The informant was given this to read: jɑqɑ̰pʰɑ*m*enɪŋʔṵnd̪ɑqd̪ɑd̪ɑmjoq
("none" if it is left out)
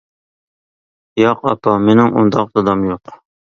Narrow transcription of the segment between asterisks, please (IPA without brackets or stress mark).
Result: m